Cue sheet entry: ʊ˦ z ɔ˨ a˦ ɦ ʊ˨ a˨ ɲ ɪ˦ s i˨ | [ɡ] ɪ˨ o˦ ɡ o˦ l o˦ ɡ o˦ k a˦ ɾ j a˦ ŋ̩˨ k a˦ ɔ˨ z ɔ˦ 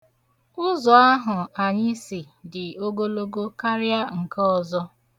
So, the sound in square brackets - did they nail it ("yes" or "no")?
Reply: no